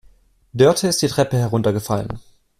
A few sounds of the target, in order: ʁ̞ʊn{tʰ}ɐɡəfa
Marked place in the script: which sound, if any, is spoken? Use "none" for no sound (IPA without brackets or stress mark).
t